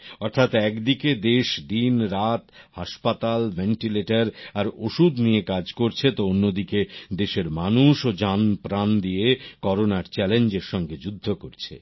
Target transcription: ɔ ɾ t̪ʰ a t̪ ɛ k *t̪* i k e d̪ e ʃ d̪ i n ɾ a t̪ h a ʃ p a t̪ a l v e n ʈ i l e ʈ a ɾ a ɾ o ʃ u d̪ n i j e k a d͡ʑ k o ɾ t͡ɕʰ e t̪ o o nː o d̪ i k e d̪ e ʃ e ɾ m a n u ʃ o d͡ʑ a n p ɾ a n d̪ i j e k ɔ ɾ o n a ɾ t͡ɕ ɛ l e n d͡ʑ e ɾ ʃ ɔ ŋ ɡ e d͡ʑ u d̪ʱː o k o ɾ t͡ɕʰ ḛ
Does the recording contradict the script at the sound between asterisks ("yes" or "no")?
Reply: yes